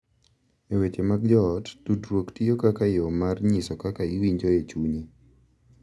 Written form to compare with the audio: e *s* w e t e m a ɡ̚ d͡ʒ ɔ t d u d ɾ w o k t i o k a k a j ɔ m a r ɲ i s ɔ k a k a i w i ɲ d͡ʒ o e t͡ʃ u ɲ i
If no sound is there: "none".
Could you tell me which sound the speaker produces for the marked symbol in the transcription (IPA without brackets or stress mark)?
none